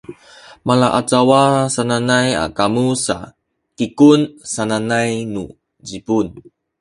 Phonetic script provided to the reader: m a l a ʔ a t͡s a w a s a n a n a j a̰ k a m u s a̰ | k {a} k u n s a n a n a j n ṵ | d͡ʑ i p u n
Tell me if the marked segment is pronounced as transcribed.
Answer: no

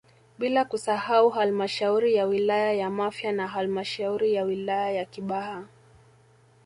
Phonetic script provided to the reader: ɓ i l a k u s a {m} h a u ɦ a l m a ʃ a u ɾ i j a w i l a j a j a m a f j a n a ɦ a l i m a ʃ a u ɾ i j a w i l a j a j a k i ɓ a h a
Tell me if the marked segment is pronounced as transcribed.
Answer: no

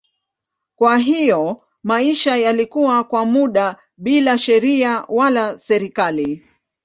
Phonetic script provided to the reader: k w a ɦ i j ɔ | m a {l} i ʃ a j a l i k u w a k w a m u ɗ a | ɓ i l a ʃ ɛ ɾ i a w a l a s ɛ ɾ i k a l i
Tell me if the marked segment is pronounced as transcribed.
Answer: no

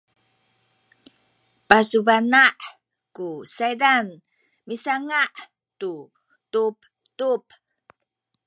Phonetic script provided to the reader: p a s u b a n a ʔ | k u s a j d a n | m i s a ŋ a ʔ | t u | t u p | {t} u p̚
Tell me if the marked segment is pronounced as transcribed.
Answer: yes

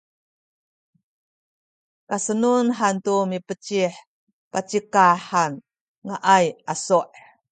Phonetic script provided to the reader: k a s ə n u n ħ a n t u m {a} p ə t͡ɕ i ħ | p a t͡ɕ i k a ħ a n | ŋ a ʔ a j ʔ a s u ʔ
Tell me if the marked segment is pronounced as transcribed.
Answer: no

